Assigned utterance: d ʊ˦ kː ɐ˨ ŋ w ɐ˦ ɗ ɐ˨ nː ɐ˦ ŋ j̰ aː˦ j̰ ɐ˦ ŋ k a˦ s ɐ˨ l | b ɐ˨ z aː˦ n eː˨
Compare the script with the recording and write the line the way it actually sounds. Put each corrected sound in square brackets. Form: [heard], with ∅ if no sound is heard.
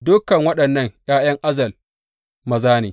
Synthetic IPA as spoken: d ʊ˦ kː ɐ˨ ŋ w ɐ˦ ɗ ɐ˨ nː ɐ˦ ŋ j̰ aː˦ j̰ ɐ˦ ŋ [ʔ] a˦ [z] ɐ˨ l | [m] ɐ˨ z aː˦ n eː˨